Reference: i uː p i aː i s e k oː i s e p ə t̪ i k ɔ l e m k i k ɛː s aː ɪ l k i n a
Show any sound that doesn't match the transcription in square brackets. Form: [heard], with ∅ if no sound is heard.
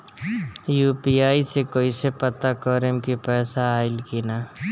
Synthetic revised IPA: [j] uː p i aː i s e k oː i s e p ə t̪ [a] k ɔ [ɾ] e m k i [p] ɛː s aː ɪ l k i n a